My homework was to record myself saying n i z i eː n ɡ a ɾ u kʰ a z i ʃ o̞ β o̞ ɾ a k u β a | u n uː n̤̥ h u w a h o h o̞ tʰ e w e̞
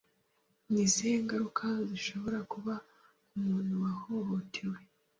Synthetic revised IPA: n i z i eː ŋ ɡ a ɾ u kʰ a z i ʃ o̞ β o̞ ɾ a k u β a | u m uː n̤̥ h u w a h o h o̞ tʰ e w e̞

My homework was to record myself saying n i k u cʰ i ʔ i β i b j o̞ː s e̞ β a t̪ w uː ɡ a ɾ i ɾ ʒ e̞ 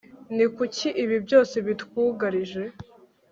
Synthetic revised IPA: n i k u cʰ i ʔ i β i b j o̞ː s e̞ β i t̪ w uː ɡ a ɾ i ʒ e̞

